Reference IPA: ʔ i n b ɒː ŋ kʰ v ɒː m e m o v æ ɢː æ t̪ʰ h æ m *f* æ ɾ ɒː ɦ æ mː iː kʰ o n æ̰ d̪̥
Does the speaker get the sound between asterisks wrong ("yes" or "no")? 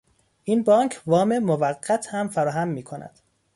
no